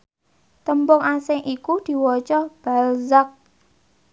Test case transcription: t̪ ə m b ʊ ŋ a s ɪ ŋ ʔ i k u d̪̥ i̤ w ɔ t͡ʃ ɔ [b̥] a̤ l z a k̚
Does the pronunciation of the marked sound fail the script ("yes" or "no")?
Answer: no